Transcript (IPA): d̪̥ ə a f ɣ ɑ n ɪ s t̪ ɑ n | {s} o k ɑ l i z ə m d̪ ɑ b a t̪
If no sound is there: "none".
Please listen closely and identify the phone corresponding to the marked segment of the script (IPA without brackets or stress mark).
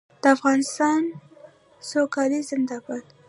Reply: s